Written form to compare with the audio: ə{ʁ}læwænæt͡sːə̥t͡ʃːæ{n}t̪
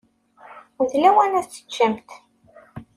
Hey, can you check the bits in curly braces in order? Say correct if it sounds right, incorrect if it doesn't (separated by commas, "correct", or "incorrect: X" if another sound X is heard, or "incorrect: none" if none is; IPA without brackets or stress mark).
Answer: incorrect: ð, incorrect: m